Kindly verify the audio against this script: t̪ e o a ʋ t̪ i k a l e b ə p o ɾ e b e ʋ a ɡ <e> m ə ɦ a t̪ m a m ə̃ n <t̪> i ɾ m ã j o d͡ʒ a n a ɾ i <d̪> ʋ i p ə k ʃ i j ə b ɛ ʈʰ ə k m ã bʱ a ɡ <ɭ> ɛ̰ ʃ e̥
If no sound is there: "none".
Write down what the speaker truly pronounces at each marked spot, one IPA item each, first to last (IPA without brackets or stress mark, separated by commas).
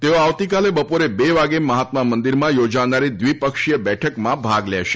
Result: e, d̪, d̪, l